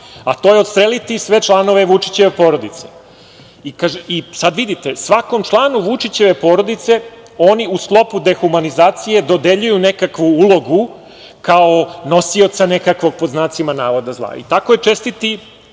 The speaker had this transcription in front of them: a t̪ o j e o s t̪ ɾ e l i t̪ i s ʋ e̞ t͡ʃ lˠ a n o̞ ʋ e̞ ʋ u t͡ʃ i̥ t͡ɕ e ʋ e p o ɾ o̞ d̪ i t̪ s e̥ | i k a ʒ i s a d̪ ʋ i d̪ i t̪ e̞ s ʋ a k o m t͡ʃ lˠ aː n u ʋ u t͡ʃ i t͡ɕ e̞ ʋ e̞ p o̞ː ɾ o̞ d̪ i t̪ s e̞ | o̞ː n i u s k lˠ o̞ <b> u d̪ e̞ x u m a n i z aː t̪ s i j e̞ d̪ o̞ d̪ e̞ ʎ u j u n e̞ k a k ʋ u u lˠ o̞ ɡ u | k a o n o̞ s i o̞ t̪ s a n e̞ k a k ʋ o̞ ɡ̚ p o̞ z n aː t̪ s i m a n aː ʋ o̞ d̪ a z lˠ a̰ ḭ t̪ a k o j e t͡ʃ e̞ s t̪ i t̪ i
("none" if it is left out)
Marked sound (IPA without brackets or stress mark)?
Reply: p